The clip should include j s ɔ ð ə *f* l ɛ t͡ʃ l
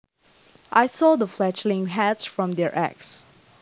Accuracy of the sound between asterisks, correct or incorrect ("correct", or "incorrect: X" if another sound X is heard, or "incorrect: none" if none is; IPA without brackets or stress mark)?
correct